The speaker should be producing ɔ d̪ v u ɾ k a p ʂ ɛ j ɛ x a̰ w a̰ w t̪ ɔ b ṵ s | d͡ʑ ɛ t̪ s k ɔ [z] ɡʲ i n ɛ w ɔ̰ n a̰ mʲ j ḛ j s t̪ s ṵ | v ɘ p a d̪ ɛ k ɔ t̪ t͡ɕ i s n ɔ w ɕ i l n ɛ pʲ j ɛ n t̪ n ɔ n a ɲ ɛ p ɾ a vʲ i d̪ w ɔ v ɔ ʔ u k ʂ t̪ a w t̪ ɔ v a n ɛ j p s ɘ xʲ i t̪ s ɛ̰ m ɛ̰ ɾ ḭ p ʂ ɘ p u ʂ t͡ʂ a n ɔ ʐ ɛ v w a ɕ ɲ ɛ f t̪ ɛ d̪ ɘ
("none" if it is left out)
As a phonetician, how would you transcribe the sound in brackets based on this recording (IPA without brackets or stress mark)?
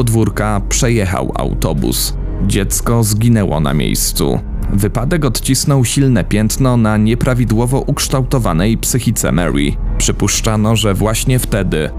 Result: z